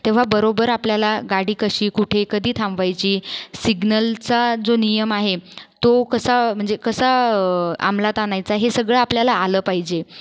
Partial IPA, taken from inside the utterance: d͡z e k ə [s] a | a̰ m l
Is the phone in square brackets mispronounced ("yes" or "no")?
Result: no